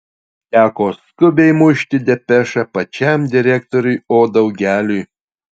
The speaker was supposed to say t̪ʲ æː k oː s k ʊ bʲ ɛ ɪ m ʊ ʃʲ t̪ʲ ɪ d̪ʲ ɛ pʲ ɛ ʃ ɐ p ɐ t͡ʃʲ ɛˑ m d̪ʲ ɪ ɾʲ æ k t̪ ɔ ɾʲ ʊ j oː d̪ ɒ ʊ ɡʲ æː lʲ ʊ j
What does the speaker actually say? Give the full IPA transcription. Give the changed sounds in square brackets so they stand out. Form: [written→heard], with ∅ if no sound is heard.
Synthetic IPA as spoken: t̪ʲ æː k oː s k ʊ bʲ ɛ ɪ m ʊ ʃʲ t̪ʲ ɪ d̪ʲ ɛ pʲ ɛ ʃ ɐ p ɐ t͡ʃʲ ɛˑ m d̪ʲ ɪ ɾʲ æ k t̪ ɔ ɾʲ ʊ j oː d̪ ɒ ʊ ɡʲ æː lʲ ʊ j

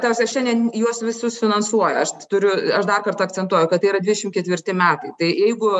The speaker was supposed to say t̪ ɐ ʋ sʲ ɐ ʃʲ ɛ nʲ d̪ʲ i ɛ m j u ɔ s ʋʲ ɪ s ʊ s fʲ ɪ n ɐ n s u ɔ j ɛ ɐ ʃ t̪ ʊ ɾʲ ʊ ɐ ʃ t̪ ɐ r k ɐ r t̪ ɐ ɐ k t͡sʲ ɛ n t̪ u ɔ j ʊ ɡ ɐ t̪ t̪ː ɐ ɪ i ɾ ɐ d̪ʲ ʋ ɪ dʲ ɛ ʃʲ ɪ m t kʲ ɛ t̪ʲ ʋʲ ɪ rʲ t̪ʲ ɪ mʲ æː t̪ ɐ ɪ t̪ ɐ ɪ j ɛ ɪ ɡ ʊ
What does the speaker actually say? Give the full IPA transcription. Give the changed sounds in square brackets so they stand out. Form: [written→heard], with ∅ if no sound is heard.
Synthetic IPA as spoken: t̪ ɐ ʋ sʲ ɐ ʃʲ ɛ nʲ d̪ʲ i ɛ [m→n] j u ɔ s ʋʲ ɪ s ʊ s fʲ ɪ n ɐ n s u ɔ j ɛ ɐ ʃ t̪ ʊ ɾʲ ʊ ɐ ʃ [t̪→d̪] ɐ r k ɐ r t̪ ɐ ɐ k t͡sʲ ɛ n t̪ u ɔ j ʊ [ɡ→k] ɐ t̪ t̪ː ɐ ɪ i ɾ ɐ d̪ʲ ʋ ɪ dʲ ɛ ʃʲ ɪ m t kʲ ɛ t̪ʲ ʋʲ ɪ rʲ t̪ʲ ɪ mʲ æː t̪ ɐ ɪ t̪ ɐ ɪ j ɛ ɪ ɡ ʊ

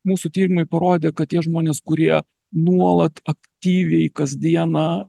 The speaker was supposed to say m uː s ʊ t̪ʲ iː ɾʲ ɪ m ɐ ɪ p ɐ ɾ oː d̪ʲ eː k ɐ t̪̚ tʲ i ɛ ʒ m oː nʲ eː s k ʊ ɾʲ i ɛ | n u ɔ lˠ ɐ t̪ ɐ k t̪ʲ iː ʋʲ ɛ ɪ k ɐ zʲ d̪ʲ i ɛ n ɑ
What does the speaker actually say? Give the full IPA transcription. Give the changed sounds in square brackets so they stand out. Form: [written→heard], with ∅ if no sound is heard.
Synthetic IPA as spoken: m uː s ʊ t̪ʲ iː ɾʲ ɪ m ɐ ɪ p ɐ ɾ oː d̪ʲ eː k ɐ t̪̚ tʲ i ɛ ʒ m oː nʲ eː s k ʊ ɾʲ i ɛ | n u ɔ lˠ ɐ t̪ ɐ k t̪ʲ iː ʋʲ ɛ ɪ k ɐ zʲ d̪ʲ i ɛ n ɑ

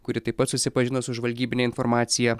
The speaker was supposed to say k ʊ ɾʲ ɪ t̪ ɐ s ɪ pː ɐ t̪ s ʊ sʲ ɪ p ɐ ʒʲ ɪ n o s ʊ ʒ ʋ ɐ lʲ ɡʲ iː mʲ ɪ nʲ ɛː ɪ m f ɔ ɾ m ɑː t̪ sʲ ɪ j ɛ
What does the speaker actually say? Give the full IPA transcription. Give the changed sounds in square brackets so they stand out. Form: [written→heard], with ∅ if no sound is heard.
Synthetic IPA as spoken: k ʊ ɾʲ ɪ t̪ ɐ [s→∅] ɪ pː ɐ t̪ s ʊ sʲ ɪ p ɐ ʒʲ ɪ n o s ʊ ʒ ʋ ɐ lʲ ɡʲ iː [mʲ→bʲ] ɪ nʲ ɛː ɪ [m→n] f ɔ ɾ m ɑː t̪ sʲ ɪ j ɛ

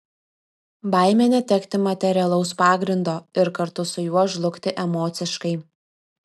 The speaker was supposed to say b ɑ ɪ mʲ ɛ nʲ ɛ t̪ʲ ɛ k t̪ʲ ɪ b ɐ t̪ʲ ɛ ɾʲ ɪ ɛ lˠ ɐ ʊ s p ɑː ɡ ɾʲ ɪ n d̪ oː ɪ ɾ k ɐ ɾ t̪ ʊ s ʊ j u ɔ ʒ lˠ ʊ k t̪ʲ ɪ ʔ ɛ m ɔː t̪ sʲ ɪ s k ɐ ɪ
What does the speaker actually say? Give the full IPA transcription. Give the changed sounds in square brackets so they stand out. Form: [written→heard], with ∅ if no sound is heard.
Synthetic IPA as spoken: b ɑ ɪ mʲ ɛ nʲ ɛ t̪ʲ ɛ k t̪ʲ ɪ [b→m] ɐ t̪ʲ ɛ ɾʲ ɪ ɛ lˠ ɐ ʊ s p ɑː ɡ ɾʲ ɪ n d̪ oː ɪ ɾ k ɐ ɾ t̪ ʊ s ʊ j u ɔ ʒ lˠ ʊ k t̪ʲ ɪ ʔ ɛ m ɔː t̪ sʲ ɪ [s→ʃ] k ɐ ɪ

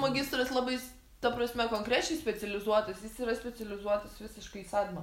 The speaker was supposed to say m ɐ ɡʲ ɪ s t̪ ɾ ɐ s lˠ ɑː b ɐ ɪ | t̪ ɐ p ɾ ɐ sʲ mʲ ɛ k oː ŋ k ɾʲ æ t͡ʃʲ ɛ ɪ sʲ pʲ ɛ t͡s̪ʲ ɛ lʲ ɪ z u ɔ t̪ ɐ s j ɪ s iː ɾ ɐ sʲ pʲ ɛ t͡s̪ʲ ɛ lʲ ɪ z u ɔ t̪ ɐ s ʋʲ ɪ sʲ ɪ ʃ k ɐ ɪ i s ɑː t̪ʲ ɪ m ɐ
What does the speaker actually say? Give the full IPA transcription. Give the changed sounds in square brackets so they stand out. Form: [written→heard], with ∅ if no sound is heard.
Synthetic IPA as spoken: m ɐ ɡʲ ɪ s t̪ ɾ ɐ s lˠ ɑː b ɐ ɪ | t̪ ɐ p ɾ ɐ sʲ mʲ ɛ k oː ŋ k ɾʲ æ t͡ʃʲ ɛ ɪ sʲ pʲ ɛ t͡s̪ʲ ɛ lʲ ɪ z u ɔ t̪ ɐ s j ɪ s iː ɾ ɐ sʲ pʲ ɛ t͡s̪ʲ ɛ lʲ ɪ z u ɔ t̪ ɐ s ʋʲ ɪ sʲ ɪ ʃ k ɐ ɪ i s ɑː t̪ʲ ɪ m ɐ

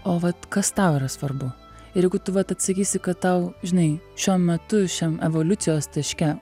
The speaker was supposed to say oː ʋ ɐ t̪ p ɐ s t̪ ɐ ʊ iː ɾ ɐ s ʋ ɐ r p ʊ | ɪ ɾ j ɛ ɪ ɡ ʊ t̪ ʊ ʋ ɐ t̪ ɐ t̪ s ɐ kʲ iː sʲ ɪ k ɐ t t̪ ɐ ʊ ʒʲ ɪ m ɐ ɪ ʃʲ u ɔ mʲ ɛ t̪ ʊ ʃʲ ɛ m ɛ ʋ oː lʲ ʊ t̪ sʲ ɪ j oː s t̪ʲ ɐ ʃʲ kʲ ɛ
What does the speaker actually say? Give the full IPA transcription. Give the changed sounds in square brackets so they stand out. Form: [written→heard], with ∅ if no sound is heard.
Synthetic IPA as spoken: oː ʋ ɐ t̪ [p→k] ɐ s t̪ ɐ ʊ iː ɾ ɐ s ʋ ɐ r [p→b] ʊ | ɪ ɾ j ɛ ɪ ɡ ʊ t̪ ʊ ʋ ɐ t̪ ɐ t̪ s ɐ kʲ iː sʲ ɪ k ɐ t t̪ ɐ ʊ ʒʲ ɪ [m→n] ɐ ɪ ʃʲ u ɔ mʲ ɛ t̪ ʊ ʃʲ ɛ m ɛ ʋ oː lʲ ʊ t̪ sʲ ɪ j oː s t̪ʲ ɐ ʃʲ kʲ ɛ

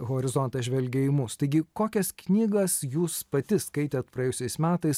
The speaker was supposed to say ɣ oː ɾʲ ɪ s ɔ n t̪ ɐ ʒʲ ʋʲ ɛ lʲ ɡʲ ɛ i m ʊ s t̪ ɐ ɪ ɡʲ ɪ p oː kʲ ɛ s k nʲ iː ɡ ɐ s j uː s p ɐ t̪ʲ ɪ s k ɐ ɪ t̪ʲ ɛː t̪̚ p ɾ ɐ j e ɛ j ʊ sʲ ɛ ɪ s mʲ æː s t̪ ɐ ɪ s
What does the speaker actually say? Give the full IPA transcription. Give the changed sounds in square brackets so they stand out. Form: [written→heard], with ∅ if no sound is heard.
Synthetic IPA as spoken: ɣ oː ɾʲ ɪ [s→z] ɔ n t̪ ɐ ʒʲ ʋʲ ɛ lʲ ɡʲ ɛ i m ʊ s t̪ ɐ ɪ ɡʲ ɪ [p→k] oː kʲ ɛ s k nʲ iː ɡ ɐ s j uː s p ɐ t̪ʲ ɪ s k ɐ ɪ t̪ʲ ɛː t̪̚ p ɾ ɐ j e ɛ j ʊ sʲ ɛ ɪ s mʲ æː [s→∅] t̪ ɐ ɪ s

